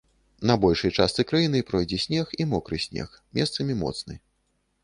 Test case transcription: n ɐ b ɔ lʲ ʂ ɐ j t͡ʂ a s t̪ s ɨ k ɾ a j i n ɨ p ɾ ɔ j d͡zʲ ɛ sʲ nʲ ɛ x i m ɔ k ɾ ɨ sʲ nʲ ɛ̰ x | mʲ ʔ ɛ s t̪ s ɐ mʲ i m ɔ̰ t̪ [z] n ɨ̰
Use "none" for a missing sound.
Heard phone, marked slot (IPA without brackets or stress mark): s